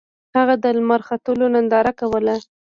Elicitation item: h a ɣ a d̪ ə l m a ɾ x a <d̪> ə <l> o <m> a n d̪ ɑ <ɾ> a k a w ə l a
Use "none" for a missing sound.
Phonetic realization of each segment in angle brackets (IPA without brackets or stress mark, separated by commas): t̪, l, n, ɾ